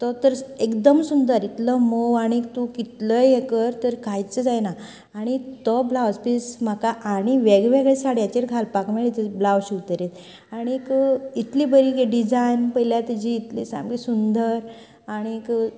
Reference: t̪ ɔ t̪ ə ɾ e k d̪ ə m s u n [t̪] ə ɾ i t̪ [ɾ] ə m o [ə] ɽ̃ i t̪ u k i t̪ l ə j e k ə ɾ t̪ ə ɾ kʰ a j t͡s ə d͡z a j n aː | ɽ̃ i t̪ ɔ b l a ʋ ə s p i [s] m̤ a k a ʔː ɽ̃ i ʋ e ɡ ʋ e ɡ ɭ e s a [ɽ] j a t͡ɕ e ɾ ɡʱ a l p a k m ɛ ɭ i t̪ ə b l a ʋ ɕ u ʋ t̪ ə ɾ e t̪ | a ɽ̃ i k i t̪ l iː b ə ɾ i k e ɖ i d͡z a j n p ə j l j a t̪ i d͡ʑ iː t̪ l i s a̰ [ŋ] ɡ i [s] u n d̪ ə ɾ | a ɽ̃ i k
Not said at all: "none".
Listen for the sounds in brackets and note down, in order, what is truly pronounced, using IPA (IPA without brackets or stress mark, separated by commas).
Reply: d̪, l, a, s, ɽ, m, s